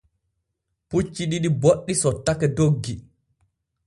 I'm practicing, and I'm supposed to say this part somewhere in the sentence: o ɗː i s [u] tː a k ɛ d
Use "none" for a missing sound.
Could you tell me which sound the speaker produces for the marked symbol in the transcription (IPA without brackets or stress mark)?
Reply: ɔ